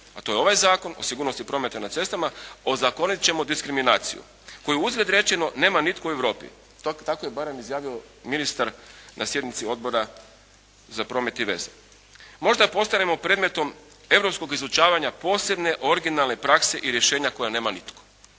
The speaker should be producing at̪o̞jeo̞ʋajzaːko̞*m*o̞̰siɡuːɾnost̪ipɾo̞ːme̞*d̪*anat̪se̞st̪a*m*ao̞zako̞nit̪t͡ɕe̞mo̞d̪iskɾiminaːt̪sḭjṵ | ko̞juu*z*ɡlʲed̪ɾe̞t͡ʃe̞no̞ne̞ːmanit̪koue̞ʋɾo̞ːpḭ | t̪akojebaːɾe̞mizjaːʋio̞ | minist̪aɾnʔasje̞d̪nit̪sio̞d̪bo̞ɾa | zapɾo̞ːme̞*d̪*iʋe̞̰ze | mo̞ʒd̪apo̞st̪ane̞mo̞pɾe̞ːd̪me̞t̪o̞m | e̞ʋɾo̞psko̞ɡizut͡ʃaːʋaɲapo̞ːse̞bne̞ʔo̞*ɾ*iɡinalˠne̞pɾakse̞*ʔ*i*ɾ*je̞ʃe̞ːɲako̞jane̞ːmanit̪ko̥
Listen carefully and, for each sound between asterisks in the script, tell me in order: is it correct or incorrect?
incorrect: n, incorrect: t̪, correct, correct, incorrect: t̪, correct, correct, correct

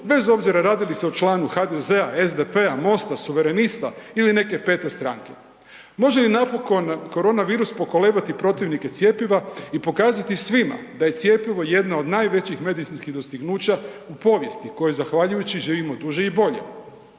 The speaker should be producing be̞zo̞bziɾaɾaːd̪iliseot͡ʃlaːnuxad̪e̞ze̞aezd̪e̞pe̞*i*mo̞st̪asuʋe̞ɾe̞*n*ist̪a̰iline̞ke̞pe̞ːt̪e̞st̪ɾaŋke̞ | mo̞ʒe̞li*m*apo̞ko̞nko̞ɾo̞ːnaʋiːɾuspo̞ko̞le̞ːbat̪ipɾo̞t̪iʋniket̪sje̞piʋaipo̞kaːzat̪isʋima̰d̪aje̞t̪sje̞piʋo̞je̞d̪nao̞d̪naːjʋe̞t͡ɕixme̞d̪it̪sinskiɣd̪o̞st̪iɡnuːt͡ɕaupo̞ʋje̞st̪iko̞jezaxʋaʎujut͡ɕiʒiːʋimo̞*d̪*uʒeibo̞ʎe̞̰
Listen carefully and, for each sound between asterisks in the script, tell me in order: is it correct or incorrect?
incorrect: a, correct, incorrect: n, correct

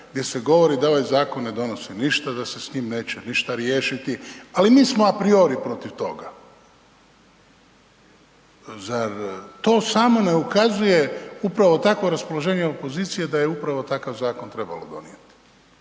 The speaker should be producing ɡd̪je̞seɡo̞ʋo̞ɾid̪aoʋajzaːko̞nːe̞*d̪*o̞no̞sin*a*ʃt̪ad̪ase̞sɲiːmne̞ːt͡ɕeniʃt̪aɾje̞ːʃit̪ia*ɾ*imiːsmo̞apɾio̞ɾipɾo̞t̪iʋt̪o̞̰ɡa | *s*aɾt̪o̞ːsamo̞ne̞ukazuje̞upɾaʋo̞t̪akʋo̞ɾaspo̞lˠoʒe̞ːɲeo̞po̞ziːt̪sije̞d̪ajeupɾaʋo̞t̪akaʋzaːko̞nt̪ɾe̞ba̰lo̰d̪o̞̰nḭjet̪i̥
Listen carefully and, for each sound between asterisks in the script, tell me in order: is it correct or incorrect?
correct, incorrect: i, incorrect: l, incorrect: z

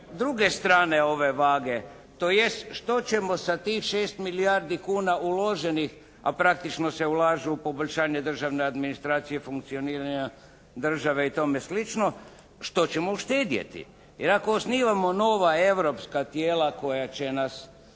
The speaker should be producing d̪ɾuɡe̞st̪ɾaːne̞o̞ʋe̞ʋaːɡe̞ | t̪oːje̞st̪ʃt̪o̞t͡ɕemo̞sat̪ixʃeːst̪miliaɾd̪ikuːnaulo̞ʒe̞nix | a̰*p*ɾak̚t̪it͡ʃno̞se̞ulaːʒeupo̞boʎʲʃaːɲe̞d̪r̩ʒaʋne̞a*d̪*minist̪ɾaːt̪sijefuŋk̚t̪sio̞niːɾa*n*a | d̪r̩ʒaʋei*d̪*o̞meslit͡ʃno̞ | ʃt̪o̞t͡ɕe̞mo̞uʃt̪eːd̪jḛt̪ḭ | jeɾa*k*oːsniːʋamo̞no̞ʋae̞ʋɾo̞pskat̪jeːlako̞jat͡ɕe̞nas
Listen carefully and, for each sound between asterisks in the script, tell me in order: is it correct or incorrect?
correct, correct, incorrect: ɲ, incorrect: t̪, correct

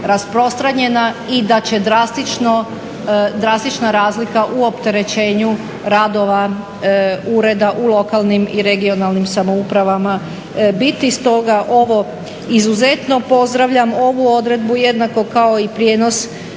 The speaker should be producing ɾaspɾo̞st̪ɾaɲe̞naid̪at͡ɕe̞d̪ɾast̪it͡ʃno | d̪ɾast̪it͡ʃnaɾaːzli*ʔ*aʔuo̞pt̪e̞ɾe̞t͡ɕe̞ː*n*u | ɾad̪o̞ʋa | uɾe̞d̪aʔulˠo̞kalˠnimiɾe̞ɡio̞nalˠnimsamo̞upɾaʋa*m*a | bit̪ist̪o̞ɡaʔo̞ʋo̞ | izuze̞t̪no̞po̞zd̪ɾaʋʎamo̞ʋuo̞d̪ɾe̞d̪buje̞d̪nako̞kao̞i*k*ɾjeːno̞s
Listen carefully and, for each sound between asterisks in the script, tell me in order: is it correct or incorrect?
incorrect: k, incorrect: ɲ, correct, incorrect: p

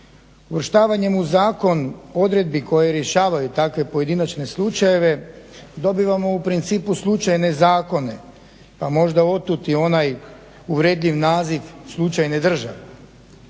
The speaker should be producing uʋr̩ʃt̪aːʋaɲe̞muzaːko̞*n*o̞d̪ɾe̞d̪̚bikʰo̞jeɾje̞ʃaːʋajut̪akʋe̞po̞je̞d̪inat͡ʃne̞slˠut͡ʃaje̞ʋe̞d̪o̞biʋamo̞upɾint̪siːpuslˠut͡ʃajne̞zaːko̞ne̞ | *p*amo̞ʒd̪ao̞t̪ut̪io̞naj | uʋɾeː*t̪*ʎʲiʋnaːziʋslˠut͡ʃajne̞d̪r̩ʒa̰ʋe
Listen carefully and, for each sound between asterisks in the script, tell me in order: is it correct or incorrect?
correct, correct, incorrect: d̪

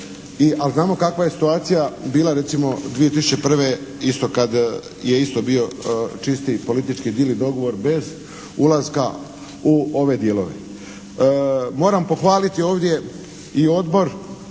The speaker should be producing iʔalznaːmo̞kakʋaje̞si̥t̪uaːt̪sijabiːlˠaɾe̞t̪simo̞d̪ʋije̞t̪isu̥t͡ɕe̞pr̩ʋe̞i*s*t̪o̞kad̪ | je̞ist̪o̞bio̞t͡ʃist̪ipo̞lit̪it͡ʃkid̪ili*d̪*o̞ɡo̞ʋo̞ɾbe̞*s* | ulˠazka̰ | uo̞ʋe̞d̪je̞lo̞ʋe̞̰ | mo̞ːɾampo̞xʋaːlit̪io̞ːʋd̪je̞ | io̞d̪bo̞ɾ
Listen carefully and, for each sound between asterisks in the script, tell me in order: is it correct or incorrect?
correct, correct, incorrect: z

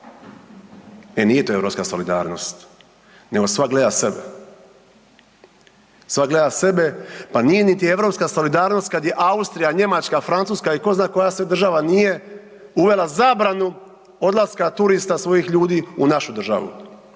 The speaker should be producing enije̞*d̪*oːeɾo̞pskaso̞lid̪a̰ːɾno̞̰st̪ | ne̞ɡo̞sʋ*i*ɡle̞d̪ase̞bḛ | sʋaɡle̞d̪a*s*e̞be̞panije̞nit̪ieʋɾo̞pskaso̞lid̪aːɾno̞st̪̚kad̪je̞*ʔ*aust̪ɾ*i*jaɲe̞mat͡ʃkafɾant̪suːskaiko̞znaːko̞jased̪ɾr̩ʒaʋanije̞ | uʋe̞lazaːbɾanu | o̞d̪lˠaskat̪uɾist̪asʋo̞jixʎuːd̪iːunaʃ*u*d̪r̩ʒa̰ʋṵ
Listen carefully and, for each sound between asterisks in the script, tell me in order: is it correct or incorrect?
incorrect: t̪, incorrect: a, correct, correct, correct, correct

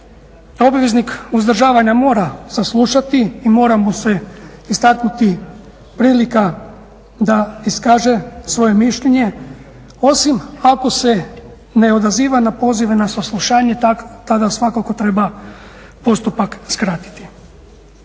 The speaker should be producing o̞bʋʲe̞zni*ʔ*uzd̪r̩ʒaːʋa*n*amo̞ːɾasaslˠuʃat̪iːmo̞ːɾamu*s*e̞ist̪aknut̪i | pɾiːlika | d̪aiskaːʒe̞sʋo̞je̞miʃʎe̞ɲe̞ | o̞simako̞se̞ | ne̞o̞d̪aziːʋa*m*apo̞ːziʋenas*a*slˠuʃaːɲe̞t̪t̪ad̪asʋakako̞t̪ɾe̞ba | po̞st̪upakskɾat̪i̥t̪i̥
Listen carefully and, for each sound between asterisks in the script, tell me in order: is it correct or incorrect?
incorrect: k, incorrect: ɲ, correct, incorrect: n, correct

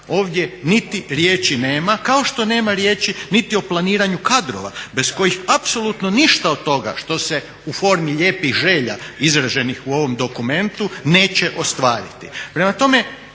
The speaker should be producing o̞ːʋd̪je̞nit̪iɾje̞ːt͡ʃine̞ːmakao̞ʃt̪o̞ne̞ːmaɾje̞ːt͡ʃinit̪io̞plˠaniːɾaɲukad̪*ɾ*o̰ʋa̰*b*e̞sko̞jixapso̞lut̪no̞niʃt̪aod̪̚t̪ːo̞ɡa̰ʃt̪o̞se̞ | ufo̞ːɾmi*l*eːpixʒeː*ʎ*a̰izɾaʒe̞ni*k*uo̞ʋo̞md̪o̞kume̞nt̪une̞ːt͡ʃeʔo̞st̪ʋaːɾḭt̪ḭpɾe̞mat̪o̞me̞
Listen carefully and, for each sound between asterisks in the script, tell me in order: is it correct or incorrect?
correct, correct, incorrect: ʎ, correct, incorrect: x

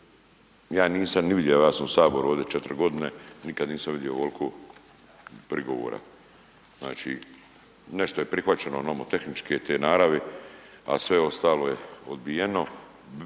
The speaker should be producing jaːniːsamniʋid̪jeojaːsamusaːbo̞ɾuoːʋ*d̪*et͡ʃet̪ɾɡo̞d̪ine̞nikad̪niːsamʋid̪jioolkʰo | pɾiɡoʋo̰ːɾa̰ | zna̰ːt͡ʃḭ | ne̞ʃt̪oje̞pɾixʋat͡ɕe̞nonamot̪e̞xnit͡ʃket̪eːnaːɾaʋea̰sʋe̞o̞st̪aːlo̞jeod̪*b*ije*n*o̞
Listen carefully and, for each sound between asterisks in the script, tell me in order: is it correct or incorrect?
correct, correct, correct

